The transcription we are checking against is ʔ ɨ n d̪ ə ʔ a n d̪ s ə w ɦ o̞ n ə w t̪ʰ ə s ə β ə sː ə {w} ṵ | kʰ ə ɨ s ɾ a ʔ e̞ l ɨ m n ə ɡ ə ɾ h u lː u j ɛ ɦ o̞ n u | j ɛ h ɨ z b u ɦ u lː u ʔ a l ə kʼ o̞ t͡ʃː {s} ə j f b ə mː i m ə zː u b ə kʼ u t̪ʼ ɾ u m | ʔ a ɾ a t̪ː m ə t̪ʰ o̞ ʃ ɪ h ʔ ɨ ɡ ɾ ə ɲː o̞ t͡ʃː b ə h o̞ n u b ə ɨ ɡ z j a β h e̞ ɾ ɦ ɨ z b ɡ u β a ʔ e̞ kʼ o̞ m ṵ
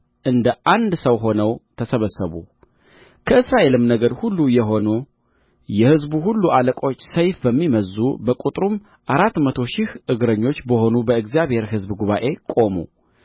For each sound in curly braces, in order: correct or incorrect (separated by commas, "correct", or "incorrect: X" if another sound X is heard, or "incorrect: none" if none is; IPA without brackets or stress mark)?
incorrect: β, correct